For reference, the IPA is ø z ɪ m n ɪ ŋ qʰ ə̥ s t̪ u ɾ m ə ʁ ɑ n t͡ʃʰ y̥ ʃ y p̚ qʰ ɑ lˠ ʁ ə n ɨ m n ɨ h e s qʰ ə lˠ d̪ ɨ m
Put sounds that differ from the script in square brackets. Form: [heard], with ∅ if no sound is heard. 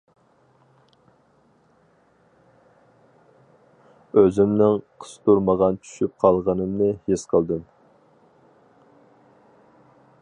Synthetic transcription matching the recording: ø z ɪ m n ɪ ŋ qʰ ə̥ s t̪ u ɾ m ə ʁ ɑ n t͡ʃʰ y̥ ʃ y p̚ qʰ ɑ lˠ ʁ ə n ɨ m n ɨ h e s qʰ ə lˠ d̪ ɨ m